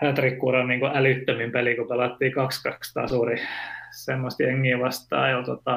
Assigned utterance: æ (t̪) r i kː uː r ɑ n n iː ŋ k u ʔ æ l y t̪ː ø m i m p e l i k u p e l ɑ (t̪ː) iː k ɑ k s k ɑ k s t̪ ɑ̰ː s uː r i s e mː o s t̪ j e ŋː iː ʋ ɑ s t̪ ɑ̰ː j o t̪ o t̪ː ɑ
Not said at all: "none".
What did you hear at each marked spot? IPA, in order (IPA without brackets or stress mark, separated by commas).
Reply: t̪, t̪ː